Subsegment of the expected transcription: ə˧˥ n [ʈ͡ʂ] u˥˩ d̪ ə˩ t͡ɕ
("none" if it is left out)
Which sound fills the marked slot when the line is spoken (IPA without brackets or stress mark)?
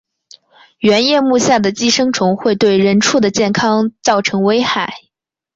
ʈ͡ʂʰ